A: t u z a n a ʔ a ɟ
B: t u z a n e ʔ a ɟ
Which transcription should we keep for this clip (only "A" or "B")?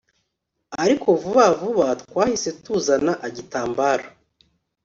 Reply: A